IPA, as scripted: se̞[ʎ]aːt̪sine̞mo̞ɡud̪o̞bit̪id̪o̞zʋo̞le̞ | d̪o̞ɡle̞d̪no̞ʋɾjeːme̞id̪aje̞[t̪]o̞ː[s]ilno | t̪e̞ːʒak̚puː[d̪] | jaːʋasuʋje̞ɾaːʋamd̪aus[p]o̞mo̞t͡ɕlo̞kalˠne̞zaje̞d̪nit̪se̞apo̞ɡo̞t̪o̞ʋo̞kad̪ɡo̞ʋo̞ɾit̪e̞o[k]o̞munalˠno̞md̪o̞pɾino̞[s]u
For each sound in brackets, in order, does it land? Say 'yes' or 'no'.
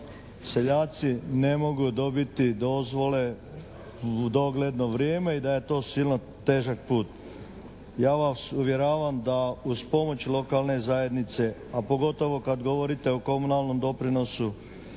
yes, yes, yes, no, yes, yes, yes

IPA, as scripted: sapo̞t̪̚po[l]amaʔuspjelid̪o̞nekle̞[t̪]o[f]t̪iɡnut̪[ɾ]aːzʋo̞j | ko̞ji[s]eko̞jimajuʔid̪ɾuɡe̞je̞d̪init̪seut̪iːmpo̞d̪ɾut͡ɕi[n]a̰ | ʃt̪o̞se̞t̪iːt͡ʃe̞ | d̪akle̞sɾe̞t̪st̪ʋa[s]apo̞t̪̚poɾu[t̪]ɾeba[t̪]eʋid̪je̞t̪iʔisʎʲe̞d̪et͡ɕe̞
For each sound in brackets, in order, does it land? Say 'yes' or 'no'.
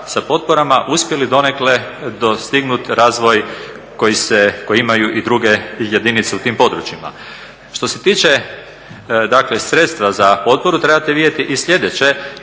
no, no, no, yes, yes, no, no, yes, yes

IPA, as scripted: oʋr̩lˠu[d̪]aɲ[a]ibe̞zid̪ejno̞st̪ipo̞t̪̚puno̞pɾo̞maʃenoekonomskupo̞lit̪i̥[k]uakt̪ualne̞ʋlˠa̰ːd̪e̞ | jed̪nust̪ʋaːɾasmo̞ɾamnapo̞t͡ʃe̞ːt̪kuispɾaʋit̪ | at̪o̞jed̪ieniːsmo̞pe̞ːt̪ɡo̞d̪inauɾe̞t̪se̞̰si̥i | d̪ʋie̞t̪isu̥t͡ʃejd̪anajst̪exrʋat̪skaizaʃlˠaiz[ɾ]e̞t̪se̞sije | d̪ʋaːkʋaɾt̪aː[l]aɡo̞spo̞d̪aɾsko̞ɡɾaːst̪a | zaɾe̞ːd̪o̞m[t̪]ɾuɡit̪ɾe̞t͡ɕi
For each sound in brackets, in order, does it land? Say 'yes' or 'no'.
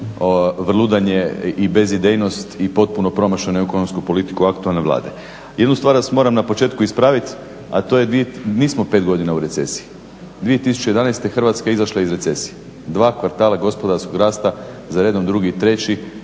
yes, no, yes, yes, yes, no

